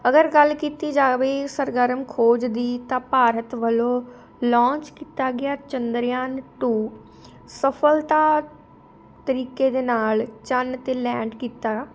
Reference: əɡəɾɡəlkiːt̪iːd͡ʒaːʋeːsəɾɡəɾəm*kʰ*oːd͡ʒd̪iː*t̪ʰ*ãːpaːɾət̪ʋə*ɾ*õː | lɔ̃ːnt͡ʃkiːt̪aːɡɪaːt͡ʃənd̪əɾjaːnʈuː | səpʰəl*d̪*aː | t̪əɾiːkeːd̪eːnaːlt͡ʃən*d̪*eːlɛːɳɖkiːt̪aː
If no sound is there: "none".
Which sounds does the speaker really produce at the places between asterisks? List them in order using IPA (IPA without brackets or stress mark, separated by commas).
kʰ, t̪, l, t̪, t̪